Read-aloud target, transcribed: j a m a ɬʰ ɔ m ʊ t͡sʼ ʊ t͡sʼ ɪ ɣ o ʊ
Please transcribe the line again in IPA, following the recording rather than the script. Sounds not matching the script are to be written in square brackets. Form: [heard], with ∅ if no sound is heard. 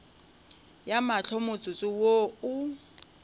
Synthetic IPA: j a m a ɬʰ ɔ m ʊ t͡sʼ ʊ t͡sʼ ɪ [w] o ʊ

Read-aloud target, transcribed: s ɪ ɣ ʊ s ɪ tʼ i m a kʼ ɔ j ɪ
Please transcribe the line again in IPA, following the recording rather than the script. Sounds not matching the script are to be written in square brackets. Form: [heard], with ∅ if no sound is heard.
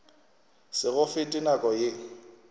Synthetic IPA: s ɪ ɣ ʊ [f] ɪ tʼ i [n] a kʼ ɔ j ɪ

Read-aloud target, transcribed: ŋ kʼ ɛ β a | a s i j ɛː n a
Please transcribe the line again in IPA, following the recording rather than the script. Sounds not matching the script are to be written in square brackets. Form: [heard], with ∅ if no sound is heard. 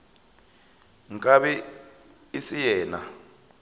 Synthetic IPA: ŋ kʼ [a] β [ɛ] | [i] s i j ɛː n a

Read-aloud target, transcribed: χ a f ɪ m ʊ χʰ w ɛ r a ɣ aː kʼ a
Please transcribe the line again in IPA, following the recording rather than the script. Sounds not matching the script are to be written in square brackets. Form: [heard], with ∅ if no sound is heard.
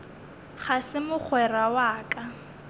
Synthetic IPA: χ a [s] ɪ m ʊ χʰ w ɛ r a [w] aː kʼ a

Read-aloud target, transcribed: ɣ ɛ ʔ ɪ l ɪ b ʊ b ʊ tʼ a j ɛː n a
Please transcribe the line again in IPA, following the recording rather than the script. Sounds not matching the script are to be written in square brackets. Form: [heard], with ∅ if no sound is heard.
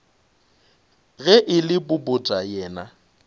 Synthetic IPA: ɣ ɛ ʔ ɪ l ɪ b ʊ b ʊ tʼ a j ɛː n a

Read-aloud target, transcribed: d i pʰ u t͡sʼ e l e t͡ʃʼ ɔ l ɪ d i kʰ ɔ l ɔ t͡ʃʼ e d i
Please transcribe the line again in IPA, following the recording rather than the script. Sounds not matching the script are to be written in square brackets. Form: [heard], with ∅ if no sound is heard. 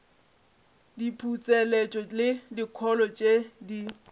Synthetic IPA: d i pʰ u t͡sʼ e l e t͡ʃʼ ɔ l ɪ d i kʰ ɔ l ɔ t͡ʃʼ e d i

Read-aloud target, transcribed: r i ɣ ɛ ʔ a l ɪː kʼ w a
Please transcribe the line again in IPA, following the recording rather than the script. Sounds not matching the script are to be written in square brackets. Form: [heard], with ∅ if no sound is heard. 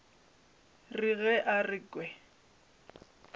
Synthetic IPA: r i ɣ ɛ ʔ a [r] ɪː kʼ w [ɛ]

